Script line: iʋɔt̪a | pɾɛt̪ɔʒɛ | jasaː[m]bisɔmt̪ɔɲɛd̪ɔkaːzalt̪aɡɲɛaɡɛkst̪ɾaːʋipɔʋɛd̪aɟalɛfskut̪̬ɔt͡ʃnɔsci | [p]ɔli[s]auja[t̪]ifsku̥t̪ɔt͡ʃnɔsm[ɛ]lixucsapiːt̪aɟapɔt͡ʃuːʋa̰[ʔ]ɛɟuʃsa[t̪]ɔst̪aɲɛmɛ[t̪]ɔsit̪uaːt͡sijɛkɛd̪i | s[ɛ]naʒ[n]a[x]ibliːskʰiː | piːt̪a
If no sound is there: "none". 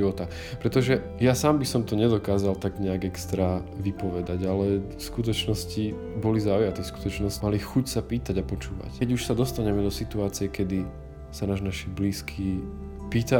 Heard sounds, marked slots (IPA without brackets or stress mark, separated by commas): m, b, z, t̪, a, c, d̪, d̪, a, n, ʃ